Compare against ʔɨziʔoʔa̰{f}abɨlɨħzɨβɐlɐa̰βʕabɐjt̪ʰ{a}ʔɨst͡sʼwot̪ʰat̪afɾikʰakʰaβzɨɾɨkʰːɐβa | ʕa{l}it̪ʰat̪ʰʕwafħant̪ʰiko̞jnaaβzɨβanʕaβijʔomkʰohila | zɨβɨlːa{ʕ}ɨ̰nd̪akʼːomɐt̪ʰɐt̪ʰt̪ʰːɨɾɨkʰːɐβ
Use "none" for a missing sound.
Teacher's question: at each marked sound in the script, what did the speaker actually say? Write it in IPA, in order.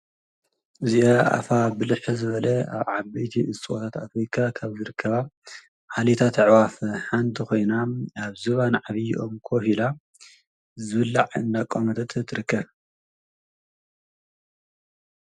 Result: f, i, l, ʕ

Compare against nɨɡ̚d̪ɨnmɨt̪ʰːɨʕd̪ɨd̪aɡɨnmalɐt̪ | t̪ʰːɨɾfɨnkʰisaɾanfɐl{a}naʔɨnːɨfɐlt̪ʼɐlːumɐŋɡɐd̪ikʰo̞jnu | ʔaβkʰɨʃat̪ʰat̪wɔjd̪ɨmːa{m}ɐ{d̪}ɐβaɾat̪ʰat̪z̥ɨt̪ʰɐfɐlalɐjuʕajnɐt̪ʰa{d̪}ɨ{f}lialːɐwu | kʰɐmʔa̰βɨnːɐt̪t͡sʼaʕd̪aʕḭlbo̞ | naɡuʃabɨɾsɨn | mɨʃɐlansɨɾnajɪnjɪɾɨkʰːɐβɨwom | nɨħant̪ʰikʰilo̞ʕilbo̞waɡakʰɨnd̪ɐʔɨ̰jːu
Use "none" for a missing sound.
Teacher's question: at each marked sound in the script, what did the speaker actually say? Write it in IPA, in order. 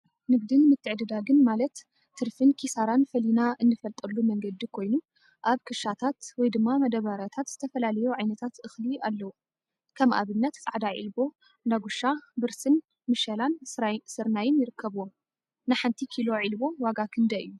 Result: i, m, d̪, t̪, x

